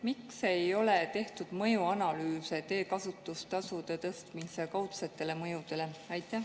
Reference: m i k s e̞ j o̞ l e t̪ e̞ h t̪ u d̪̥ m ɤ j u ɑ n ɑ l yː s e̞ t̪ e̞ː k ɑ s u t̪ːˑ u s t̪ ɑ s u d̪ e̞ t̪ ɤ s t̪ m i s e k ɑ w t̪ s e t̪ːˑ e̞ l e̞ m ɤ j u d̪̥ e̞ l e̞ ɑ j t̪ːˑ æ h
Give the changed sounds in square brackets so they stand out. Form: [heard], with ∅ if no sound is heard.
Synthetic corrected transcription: m i k s e̞ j o̞ l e t̪ e̞ h t̪ u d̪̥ m ɤ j u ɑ n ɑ l yː s e̞ t̪ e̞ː k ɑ s u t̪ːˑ u s t̪ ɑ s u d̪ e̞ t̪ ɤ s t̪ m i s e k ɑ w t̪ s e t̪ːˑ e̞ l e̞ m ɤ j u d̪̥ e̞ l e̞ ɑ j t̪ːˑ æ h